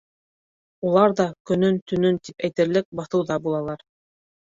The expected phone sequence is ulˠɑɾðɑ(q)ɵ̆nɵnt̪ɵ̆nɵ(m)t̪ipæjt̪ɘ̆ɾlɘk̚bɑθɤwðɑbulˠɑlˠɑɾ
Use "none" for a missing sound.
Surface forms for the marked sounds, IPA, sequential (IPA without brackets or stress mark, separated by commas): k, n